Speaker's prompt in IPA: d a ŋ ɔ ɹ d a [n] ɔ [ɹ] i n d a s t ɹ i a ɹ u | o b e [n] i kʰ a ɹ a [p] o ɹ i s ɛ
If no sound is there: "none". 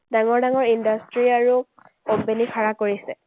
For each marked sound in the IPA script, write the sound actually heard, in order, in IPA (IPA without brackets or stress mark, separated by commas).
ŋ, ɹ, n, k